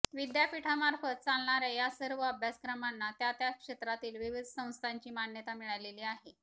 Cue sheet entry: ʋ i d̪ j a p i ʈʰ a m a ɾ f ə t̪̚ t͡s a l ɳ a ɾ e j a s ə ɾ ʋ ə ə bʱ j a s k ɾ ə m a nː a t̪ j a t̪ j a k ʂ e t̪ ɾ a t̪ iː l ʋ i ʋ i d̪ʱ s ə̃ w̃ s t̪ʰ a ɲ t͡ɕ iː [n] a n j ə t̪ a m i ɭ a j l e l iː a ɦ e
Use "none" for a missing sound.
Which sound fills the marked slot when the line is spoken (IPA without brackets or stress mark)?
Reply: m